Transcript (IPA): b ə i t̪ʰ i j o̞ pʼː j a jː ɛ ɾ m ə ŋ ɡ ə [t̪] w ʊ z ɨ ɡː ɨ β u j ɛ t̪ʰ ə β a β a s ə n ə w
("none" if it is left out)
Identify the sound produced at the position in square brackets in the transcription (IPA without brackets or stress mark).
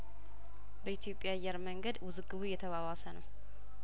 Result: d̪